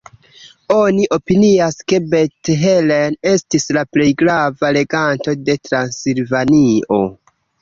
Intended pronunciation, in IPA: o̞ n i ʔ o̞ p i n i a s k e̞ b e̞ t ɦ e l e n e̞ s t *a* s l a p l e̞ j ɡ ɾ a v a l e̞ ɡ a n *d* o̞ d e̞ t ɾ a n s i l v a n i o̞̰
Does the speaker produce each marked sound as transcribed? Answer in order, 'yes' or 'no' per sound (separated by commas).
no, no